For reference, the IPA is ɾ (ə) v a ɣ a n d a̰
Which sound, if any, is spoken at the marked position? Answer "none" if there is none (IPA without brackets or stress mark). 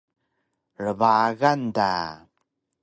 ə